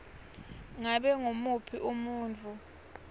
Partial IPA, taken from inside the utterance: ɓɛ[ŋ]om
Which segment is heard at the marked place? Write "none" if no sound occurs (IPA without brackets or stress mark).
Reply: ŋ